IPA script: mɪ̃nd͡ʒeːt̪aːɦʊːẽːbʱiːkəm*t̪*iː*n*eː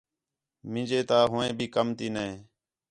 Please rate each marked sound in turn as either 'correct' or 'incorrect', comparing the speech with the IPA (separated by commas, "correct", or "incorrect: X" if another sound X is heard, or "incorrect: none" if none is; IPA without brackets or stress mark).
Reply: correct, correct